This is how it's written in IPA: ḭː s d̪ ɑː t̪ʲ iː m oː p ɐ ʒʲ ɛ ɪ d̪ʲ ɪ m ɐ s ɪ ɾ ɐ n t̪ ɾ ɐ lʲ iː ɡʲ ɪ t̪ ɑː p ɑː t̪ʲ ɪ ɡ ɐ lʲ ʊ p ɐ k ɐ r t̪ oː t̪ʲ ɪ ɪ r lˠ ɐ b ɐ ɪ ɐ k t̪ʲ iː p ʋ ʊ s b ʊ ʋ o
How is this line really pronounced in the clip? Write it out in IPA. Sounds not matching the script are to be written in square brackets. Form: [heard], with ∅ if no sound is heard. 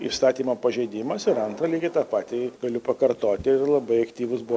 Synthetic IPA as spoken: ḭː s [t̪] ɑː t̪ʲ iː m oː p ɐ ʒʲ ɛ ɪ d̪ʲ ɪ m ɐ s ɪ ɾ ɐ n t̪ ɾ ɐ lʲ iː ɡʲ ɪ t̪ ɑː p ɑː t̪ʲ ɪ ɡ ɐ lʲ ʊ p ɐ k ɐ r t̪ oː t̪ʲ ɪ ɪ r lˠ ɐ b ɐ ɪ ɐ k t̪ʲ iː [∅] ʋ ʊ s b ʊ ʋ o